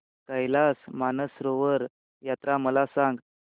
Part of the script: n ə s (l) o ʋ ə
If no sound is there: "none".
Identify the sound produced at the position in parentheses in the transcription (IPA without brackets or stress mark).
ɾ